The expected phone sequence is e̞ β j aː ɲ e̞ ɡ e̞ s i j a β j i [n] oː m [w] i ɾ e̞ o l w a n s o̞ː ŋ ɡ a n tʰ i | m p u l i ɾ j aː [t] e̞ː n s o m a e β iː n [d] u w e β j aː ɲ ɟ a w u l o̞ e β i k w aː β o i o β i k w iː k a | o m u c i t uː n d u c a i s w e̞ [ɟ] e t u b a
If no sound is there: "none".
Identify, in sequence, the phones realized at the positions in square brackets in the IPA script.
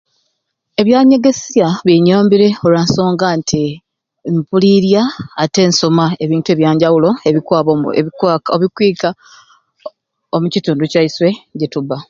ɲ, b, t, t, ɟ

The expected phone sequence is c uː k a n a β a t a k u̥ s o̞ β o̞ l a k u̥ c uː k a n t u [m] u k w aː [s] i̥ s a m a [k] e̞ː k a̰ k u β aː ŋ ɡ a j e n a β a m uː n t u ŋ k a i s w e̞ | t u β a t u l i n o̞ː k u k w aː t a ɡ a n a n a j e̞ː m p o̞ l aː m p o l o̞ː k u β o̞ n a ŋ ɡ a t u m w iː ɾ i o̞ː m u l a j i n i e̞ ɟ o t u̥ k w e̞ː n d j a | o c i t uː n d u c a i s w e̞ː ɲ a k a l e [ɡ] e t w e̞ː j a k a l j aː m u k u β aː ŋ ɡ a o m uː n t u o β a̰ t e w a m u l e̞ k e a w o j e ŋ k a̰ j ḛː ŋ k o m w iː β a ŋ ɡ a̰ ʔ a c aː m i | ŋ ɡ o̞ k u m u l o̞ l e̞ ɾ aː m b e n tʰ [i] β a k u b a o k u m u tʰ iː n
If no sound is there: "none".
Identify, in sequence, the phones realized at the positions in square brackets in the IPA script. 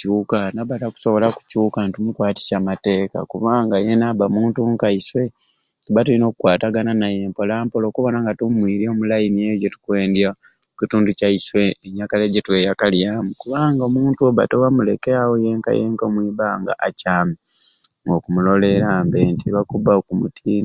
m, t, t, ɟ, i

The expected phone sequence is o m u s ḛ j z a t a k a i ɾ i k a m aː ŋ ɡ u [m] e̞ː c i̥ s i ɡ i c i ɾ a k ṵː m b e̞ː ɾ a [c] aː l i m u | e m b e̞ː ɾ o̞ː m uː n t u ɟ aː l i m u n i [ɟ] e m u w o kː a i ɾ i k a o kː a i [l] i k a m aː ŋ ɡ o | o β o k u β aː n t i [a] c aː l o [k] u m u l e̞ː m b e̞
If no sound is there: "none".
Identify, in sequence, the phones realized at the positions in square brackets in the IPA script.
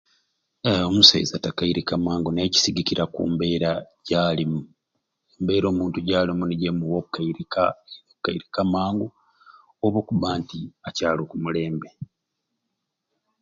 n, ɟ, ɟ, ɾ, a, k

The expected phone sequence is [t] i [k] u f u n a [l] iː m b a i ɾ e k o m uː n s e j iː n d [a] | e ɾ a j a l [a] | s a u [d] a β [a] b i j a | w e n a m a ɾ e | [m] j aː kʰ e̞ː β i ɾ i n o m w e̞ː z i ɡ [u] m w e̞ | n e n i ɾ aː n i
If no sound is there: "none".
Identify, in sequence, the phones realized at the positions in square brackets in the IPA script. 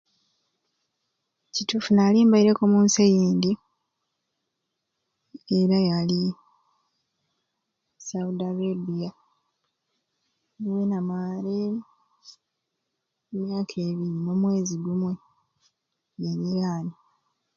c, t, l, i, i, d, e, m, u

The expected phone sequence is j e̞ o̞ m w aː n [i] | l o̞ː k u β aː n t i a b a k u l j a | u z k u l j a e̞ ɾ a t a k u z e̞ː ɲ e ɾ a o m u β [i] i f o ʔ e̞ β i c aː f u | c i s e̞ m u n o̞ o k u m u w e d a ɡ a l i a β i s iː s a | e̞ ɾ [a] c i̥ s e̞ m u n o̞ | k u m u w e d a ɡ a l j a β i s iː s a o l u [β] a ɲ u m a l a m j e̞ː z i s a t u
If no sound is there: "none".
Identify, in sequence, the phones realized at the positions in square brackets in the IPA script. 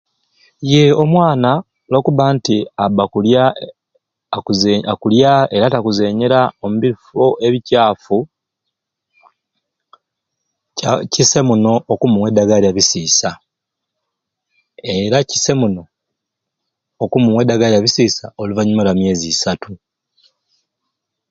a, i, a, v

